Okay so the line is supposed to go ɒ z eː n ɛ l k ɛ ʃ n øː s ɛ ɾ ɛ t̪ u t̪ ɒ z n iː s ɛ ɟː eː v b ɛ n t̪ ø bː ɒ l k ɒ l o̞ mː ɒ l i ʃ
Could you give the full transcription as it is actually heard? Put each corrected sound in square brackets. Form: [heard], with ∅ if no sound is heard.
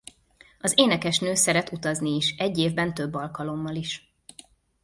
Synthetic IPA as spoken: ɒ z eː n ɛ [∅] k ɛ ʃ n øː s ɛ ɾ ɛ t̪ u t̪ ɒ z n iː [ʃ] ɛ ɟː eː v b ɛ n t̪ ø bː ɒ l k ɒ l o̞ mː ɒ l i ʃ